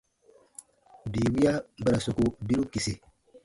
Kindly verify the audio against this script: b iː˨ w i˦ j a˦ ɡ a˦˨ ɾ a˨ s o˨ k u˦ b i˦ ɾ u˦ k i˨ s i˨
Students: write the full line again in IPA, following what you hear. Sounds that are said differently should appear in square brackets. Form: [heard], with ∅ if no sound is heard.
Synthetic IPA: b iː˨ w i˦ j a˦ [b] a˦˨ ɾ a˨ s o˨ k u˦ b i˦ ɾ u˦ k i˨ s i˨